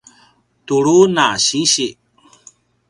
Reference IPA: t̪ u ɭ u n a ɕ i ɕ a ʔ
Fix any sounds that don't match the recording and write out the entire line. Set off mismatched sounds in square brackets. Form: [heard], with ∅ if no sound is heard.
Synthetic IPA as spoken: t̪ u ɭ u n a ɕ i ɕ [i] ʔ